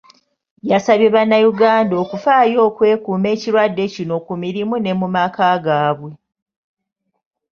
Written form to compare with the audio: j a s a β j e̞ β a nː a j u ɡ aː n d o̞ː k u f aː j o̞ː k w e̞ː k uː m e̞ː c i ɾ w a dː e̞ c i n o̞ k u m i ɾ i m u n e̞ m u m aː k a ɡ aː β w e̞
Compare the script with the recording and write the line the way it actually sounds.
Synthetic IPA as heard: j a s a β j e̞ β a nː a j u ɡ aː n d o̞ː k u f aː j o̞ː k w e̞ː k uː m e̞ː c i ɾ w a dː e̞ c i n o̞ k u m i ɾ i m u n e̞ m u m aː k a ɡ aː β w e̞